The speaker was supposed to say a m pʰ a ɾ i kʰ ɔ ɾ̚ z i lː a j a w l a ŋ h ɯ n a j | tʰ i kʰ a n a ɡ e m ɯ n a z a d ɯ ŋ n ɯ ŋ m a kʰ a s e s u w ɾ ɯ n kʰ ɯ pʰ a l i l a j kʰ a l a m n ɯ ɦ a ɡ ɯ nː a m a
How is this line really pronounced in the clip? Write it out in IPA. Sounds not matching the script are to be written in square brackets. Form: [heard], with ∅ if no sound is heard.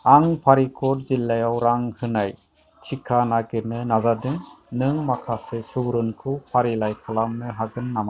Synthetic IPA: a [ŋ] pʰ a ɾ i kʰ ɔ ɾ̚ z i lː a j a w [ɾ] a ŋ h ɯ n a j | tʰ i kʰ a n a ɡ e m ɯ n a z a d ɯ ŋ n ɯ ŋ m a kʰ a s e s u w ɾ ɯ n kʰ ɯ pʰ a [ɾ] i l a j kʰ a l a m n ɯ ɦ a ɡ ɯ nː a m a